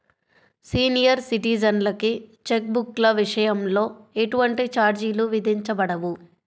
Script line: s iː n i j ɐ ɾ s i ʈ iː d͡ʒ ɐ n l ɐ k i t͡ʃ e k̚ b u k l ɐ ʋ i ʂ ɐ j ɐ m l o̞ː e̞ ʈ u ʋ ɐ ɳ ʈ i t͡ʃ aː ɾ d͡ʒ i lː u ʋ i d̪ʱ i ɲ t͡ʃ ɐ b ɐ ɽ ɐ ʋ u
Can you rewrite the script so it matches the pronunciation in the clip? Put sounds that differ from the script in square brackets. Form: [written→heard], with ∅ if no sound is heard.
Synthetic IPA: s iː n i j ɐ ɾ s i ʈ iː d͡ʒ ɐ n l ɐ k i t͡ʃ e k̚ b u k l ɐ ʋ i ʂ ɐ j ɐ m l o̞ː e̞ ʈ u ʋ ɐ ɳ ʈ i t͡ʃ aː ɾ d͡ʒ i [lː→l] u ʋ i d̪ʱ i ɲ t͡ʃ ɐ b ɐ ɽ ɐ ʋ u